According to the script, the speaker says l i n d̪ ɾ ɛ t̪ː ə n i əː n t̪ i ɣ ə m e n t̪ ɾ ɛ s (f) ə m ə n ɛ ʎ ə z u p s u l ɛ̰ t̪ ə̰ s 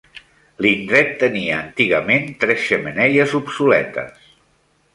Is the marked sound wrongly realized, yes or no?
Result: yes